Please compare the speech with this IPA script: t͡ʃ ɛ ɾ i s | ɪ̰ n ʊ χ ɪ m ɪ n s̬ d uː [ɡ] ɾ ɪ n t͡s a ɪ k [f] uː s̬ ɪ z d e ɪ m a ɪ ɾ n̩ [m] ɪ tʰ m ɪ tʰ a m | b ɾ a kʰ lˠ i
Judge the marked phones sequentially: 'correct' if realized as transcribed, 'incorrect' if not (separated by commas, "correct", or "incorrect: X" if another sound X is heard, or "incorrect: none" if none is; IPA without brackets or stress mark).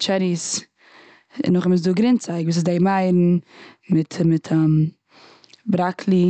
correct, incorrect: v, correct